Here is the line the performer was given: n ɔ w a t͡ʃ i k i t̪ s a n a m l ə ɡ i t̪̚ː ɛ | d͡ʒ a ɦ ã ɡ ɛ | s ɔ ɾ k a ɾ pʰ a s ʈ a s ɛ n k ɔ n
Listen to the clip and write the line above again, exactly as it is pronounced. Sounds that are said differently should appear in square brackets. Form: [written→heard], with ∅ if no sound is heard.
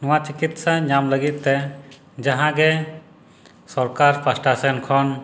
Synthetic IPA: n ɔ w a t͡ʃ i k i t̪ s a [n→ɲ] a m l ə ɡ i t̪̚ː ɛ | d͡ʒ a ɦ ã ɡ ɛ | s ɔ ɾ k a ɾ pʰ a s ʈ a s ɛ n [k→kʰ] ɔ n